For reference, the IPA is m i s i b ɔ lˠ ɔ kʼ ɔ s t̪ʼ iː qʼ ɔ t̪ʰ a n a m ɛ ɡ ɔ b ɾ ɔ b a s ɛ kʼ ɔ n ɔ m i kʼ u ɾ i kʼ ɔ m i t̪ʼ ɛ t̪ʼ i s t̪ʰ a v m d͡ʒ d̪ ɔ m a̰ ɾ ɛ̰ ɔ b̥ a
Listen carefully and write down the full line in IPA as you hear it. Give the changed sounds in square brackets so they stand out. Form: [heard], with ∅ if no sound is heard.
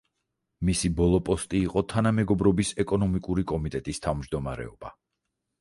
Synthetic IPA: m i s i b ɔ lˠ ɔ [pʼ] ɔ s t̪ʼ iː qʼ ɔ t̪ʰ a n a m ɛ ɡ ɔ b ɾ ɔ b [i] s ɛ kʼ ɔ n ɔ m i kʼ u ɾ i kʼ ɔ m i t̪ʼ ɛ t̪ʼ i s t̪ʰ a v m d͡ʒ d̪ ɔ m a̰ ɾ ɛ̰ ɔ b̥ a